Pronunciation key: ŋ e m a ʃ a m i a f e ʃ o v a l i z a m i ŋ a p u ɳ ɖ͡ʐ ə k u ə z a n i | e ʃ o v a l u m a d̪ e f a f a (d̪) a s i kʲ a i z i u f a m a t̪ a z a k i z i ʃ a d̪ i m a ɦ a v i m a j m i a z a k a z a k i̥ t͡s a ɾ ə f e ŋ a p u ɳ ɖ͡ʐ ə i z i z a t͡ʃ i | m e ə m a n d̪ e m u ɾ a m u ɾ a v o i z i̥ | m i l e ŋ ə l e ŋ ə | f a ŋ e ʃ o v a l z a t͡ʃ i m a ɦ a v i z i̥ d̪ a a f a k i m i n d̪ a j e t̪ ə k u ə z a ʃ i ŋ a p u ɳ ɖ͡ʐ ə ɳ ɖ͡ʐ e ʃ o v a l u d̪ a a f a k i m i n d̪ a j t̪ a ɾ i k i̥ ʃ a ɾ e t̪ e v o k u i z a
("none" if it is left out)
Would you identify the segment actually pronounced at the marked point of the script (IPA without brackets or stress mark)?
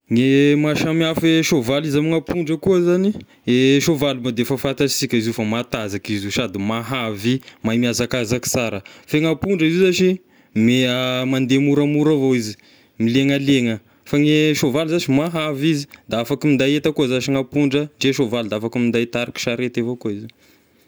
t̪